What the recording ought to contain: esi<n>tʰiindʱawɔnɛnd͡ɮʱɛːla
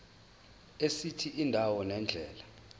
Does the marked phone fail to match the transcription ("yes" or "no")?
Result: yes